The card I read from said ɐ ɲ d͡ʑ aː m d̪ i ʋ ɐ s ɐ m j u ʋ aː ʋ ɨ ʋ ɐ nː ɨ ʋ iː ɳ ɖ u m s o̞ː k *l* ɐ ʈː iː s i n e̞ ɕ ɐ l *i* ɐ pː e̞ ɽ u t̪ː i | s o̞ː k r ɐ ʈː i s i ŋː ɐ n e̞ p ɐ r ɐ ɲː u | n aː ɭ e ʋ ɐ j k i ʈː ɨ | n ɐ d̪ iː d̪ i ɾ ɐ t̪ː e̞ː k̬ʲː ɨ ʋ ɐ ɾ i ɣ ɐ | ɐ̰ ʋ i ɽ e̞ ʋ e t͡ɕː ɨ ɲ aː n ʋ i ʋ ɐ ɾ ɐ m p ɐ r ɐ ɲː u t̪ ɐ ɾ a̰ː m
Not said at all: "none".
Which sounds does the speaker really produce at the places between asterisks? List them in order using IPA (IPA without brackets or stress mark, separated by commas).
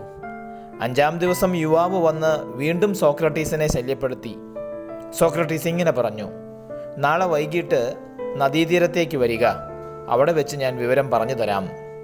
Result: r, j